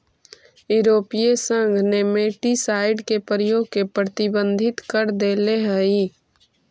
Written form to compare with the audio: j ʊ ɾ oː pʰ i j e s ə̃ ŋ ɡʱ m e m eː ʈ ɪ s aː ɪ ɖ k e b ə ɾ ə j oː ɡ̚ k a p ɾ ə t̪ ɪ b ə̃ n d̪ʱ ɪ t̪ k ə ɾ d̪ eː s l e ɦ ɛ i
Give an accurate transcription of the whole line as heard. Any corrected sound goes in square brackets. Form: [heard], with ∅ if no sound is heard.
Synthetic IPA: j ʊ ɾ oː [p] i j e s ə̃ ŋ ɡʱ [n] e m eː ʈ [i] s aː ɪ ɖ k e [p] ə ɾ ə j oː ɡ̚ k [e] p ɾ ə t̪ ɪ b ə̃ n d̪ʱ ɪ t̪ k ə ɾ d̪ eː [∅] l e ɦ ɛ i